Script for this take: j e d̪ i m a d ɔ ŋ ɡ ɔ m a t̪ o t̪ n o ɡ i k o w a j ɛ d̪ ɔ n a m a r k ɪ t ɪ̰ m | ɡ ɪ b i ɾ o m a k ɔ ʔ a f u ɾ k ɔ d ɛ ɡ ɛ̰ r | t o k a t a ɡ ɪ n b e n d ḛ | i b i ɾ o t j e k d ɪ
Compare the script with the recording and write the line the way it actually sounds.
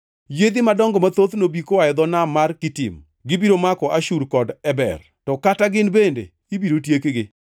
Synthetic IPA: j e d̪ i m a d ɔ ŋ ɡ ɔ m a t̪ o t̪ n o b i k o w a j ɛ d̪ ɔ n a m a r k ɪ t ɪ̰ m | ɡ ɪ b i ɾ o m a k ɔ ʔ a ʃ u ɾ k ɔ d ɛ b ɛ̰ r | t ɔ k a t a ɡ ɪ n b e n d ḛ | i b i ɾ o t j e k ɡ ɪ